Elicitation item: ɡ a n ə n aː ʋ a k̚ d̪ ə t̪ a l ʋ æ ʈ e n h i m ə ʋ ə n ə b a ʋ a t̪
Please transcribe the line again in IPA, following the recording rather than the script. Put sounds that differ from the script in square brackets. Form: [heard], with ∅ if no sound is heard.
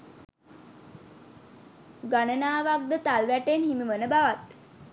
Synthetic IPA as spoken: ɡ a n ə n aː ʋ a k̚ d̪ ə t̪ a l ʋ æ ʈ e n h i m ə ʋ ə n ə b a ʋ a t̪